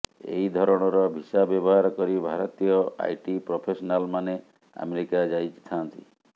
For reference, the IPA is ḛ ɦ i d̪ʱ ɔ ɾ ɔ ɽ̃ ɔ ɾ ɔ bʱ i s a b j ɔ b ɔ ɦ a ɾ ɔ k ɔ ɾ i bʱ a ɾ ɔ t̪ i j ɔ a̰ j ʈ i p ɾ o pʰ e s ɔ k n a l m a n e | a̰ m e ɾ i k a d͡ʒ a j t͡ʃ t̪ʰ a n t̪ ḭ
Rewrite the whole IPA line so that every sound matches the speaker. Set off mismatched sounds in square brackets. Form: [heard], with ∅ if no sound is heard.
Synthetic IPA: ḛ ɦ i d̪ʱ ɔ ɾ ɔ ɽ̃ ɔ ɾ ɔ bʱ i s a b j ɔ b ɔ ɦ a ɾ ɔ k ɔ ɾ i bʱ a ɾ ɔ t̪ i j ɔ a̰ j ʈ i p ɾ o pʰ e s ɔ [∅] n a l m a n e | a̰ m e ɾ i k a d͡ʒ a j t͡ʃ t̪ʰ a n t̪ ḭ